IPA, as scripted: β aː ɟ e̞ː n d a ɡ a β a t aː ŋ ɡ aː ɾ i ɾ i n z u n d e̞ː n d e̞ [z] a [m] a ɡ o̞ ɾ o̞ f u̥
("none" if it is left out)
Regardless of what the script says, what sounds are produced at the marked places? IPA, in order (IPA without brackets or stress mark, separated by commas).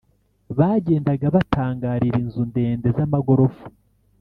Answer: z, m